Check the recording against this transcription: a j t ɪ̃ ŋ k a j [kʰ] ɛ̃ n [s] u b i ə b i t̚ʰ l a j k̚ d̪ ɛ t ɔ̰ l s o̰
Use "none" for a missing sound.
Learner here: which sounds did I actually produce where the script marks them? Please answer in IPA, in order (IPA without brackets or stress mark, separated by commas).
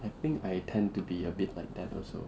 tʰ, t